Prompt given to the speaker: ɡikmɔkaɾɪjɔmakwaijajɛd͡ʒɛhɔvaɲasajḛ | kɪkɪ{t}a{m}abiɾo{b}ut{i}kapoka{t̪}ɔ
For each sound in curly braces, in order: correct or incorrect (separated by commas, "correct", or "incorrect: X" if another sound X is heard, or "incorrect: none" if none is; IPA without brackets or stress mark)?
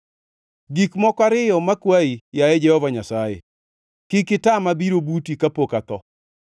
correct, correct, correct, correct, correct